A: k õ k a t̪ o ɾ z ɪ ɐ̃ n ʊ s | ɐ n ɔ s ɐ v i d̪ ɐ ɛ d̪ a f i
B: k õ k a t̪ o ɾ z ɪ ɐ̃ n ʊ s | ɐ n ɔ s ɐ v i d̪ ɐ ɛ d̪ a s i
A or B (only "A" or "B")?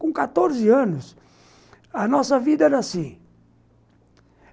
B